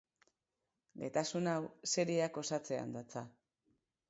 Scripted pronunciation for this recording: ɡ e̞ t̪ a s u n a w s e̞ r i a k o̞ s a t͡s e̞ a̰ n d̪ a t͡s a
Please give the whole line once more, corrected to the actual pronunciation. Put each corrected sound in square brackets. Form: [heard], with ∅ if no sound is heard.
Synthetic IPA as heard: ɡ e̞ t̪ a s u n a w s e̞ [ɾ] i a k o̞ s a t͡s e̞ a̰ n d̪ a t͡s a